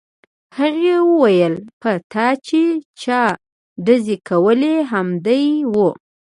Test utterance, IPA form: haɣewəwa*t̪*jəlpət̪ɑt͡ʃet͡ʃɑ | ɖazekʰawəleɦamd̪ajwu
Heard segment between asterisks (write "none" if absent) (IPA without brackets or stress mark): none